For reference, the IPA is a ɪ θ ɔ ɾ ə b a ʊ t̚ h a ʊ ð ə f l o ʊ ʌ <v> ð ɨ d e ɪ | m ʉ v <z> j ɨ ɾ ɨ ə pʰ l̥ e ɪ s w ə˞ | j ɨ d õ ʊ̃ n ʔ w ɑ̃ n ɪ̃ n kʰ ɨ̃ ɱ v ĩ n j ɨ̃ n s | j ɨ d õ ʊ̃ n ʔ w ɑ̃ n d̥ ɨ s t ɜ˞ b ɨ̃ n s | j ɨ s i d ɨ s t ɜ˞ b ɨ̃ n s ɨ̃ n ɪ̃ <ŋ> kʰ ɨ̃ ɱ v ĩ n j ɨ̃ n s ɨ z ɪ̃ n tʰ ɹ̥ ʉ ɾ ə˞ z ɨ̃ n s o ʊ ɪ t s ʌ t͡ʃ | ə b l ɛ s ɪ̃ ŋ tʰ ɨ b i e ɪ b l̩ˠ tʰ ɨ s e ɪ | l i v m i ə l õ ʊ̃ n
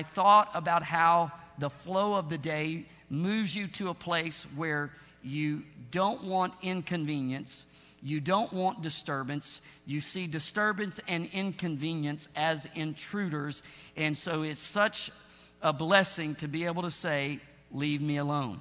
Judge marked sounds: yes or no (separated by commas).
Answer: yes, yes, no